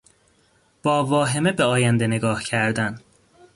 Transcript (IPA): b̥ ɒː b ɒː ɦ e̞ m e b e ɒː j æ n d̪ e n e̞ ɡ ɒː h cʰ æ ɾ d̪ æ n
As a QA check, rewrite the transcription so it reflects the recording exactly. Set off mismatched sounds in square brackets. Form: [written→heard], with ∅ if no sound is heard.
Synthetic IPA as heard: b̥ ɒː [b→v] ɒː ɦ e̞ m e b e ɒː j æ n d̪ e n e̞ ɡ ɒː h cʰ æ ɾ d̪ æ n

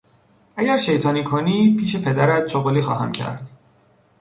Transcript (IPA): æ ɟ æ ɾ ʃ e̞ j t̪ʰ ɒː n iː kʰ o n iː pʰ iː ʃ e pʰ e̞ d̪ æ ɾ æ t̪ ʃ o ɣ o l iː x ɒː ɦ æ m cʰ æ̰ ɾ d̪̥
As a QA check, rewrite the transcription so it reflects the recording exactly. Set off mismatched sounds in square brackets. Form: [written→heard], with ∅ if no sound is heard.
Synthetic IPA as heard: æ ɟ æ ɾ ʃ e̞ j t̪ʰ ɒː n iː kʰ o n iː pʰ iː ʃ e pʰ e̞ d̪ æ ɾ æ t̪ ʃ o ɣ o l iː x ɒː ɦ æ m cʰ æ̰ ɾ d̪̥

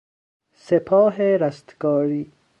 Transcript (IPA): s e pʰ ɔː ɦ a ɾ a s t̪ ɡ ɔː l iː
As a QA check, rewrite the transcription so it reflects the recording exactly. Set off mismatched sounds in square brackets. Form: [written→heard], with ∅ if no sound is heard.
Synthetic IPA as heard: s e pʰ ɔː ɦ [a→e] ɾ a s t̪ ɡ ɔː [l→ɾ] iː

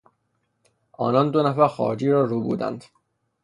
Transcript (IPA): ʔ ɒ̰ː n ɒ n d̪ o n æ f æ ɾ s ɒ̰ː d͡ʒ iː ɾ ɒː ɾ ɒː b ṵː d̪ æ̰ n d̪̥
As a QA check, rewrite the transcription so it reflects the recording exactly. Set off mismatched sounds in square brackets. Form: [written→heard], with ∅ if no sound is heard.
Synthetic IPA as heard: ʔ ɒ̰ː n ɒ n d̪ o n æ f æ ɾ [s→x] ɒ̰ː d͡ʒ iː ɾ ɒː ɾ [ɒː→uː] b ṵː d̪ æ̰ n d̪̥

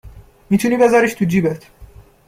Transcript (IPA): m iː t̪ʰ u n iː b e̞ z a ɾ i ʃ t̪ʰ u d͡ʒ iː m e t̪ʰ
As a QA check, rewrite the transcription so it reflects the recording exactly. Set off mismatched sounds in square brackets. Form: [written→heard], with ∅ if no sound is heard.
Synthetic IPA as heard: m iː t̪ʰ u n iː b e̞ z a ɾ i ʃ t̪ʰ u d͡ʒ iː [m→b] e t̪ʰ

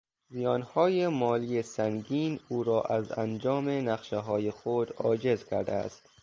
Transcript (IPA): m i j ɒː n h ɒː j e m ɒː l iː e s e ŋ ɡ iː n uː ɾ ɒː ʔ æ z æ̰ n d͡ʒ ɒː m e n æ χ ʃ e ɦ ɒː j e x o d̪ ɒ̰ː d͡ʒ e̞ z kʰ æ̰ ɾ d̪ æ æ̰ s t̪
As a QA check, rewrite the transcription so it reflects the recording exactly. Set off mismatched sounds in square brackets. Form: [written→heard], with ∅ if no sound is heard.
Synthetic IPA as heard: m i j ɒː n h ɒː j e m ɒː l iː e s [e→æ] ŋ ɡ iː n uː ɾ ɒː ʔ æ z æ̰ n d͡ʒ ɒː m e n æ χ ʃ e ɦ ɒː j e x o d̪ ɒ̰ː d͡ʒ e̞ z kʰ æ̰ ɾ d̪ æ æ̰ s t̪

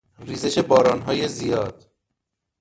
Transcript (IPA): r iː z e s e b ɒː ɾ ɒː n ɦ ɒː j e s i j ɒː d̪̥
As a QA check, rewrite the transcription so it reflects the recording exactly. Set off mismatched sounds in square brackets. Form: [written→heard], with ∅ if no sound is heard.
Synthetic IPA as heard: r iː z e [s→ʃ] e b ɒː ɾ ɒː n ɦ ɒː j e [s→z] i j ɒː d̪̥

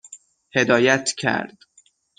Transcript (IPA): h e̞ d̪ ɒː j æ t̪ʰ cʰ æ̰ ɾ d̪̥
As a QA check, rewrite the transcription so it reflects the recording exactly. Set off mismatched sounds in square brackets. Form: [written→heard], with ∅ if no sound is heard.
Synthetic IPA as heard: h e̞ d̪ ɒː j æ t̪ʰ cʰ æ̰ ɾ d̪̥

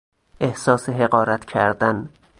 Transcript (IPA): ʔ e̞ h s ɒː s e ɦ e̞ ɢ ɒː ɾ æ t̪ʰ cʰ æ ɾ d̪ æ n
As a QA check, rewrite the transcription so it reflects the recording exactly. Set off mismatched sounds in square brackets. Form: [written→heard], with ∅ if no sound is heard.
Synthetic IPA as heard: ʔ e̞ h s ɒː s e ɦ e̞ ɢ ɒː ɾ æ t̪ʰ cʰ æ ɾ d̪ æ n

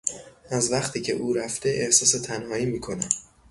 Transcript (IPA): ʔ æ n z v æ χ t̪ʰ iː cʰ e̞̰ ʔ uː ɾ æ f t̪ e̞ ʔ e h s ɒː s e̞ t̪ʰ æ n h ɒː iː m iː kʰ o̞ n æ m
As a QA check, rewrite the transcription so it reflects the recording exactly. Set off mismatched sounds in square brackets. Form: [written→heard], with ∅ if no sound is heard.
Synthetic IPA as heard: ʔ æ [n→∅] z v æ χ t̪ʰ iː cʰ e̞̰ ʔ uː ɾ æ f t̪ e̞ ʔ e h s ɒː s e̞ t̪ʰ æ n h ɒː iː m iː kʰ o̞ n æ m

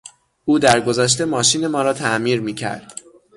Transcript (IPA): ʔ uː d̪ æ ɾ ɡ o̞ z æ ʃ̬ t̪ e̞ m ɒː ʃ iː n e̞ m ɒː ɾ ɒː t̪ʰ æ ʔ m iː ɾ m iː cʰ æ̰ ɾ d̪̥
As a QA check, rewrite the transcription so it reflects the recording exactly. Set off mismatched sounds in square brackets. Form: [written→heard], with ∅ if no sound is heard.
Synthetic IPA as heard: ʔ uː d̪ æ ɾ ɡ o̞ z æ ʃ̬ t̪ e̞ m ɒː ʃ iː n e̞ m ɒː ɾ ɒː t̪ʰ æ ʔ m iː ɾ m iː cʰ æ̰ ɾ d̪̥

